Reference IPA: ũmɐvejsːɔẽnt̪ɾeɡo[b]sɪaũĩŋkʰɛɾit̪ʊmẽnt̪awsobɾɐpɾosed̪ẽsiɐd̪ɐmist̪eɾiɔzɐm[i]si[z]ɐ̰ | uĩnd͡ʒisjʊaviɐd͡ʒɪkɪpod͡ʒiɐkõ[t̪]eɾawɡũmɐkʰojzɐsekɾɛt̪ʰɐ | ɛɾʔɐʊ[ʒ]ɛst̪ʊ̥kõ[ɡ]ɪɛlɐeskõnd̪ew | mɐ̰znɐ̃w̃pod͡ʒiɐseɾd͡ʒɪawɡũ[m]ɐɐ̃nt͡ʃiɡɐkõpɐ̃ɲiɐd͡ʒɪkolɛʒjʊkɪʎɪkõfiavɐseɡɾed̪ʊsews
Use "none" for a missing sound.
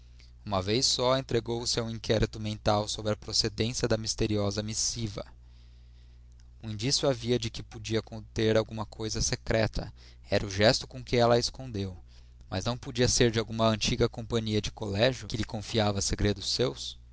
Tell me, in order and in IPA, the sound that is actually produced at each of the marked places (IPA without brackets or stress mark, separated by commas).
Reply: w, i, v, t̪, ʒ, k, m